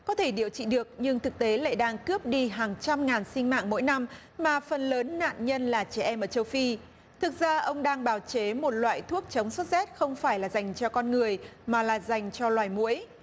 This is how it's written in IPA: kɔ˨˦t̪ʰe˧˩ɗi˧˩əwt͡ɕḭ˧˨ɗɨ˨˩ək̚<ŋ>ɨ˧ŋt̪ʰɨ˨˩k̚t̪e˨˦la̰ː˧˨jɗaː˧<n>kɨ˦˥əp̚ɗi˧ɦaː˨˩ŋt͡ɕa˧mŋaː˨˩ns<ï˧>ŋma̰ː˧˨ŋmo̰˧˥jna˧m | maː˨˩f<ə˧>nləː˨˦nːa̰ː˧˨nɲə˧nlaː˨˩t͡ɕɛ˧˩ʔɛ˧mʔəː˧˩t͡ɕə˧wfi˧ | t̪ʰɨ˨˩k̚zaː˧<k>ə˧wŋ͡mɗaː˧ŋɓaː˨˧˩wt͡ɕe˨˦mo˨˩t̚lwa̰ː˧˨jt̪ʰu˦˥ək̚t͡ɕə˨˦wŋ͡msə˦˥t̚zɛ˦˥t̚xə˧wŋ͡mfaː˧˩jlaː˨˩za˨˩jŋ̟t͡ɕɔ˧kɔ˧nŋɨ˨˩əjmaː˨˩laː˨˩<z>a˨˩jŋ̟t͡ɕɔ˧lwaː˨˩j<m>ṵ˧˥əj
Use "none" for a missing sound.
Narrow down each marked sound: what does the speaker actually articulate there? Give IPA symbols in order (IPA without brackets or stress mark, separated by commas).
ɲ, ŋ, ï˧, ə˨˩, ʔ, z, m